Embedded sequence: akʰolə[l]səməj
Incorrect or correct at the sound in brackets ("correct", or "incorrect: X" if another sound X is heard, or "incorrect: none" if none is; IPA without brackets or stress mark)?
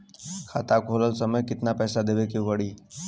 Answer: correct